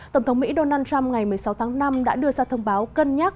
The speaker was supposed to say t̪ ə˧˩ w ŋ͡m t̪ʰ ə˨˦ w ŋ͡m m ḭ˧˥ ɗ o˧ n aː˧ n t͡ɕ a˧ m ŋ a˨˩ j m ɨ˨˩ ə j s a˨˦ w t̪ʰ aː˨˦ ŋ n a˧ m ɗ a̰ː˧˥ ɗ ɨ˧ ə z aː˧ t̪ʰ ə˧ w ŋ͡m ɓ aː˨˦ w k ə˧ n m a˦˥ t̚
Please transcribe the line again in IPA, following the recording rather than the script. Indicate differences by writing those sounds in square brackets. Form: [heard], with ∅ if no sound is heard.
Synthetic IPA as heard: t̪ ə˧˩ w ŋ͡m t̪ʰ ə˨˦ w ŋ͡m m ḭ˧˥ ɗ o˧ n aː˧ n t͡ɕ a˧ m ŋ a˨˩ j m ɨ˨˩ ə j s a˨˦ w t̪ʰ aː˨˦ ŋ n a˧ m ɗ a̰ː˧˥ ɗ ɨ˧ ə z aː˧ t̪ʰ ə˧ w ŋ͡m ɓ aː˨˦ w k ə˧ n [ɲ] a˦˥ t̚

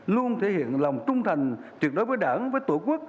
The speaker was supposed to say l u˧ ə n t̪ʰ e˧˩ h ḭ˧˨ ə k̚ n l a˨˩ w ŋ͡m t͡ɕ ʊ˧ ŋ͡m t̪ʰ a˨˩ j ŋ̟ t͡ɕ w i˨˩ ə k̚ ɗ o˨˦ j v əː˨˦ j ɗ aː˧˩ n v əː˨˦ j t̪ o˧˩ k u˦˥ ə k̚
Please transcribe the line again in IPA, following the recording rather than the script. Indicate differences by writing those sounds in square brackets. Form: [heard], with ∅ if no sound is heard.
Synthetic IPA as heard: l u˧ ə n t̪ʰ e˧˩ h ḭ˧˨ ə [∅] n l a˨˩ w ŋ͡m t͡ɕ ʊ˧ ŋ͡m t̪ʰ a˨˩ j ŋ̟ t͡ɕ w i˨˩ ə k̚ ɗ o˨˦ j v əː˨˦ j ɗ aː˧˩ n v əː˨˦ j t̪ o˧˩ k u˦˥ ə k̚

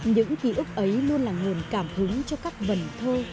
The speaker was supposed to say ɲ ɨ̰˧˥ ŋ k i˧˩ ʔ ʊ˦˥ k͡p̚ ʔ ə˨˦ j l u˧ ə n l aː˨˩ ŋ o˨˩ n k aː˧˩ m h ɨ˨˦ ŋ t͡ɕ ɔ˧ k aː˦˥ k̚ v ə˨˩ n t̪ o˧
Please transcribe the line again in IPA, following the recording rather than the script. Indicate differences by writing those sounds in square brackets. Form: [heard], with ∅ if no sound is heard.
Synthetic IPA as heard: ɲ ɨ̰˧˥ ŋ k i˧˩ ʔ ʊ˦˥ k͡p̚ ʔ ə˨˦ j l u˧ ə n l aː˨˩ ŋ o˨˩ n k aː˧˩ m h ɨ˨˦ ŋ t͡ɕ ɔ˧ k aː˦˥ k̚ v ə˨˩ n [t̪ʰ] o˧

